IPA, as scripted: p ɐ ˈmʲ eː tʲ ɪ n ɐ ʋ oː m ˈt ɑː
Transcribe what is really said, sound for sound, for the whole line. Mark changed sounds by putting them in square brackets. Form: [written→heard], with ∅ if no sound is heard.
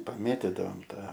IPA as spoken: p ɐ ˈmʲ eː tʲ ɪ [n→d] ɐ ʋ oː m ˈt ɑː